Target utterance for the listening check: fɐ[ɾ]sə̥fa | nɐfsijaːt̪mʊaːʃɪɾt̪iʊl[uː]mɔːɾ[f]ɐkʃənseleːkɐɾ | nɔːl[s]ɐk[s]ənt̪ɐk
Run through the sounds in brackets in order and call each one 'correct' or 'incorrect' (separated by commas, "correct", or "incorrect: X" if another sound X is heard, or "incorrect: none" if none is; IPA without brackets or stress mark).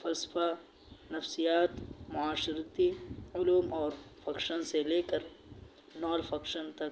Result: incorrect: l, correct, correct, incorrect: f, incorrect: ʃ